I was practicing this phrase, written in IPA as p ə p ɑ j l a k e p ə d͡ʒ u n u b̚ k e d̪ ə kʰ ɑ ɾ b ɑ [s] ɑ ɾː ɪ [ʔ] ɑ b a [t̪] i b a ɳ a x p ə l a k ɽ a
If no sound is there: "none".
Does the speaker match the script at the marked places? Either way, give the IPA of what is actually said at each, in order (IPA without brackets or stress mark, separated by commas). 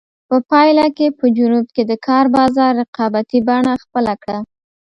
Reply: z, q, t̪